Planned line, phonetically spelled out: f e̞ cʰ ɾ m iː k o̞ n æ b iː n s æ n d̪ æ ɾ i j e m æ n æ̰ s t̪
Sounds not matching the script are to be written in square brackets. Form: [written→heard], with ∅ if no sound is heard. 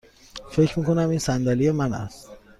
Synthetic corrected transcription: f e̞ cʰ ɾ m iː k o̞ n æ [b→m] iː n s æ n d̪ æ [ɾ→l] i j e m æ n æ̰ s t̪